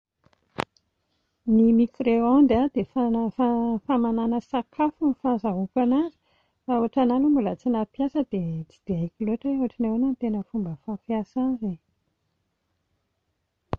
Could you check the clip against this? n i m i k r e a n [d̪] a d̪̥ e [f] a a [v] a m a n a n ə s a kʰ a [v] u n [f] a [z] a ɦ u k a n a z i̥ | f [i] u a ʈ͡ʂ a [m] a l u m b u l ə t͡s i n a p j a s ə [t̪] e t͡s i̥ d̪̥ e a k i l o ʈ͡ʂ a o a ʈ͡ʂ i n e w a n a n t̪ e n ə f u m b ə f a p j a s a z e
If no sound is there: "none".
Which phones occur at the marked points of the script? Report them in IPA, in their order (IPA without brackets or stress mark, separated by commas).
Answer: d̪, f, f, f, f, z, a, n, d̪